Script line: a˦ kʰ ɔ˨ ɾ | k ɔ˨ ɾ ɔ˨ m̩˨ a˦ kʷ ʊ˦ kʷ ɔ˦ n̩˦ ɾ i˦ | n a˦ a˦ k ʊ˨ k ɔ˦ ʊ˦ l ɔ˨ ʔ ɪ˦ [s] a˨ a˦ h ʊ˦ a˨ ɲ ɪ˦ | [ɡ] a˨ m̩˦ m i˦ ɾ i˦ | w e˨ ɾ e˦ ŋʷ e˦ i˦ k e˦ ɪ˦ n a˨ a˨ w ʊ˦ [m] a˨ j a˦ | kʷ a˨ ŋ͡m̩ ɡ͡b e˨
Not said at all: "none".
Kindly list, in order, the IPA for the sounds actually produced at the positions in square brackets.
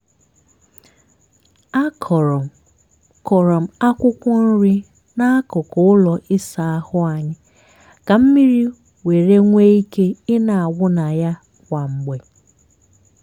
s, k, n

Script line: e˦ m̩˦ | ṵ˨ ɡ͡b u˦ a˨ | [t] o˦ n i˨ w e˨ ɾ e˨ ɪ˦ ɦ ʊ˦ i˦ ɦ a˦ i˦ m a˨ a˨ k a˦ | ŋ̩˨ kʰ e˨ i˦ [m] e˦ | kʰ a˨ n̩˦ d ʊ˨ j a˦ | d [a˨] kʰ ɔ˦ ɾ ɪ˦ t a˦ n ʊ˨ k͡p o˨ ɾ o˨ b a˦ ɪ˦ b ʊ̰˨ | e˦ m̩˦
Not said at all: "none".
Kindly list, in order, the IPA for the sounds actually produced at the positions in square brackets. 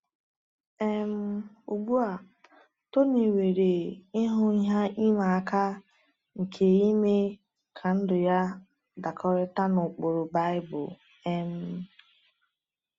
t, m, a˨

